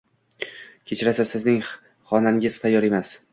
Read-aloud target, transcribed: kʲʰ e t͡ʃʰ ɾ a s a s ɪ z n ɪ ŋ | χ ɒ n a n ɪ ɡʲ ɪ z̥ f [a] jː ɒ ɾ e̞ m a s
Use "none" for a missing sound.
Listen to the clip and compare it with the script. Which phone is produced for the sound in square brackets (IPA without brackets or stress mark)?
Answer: a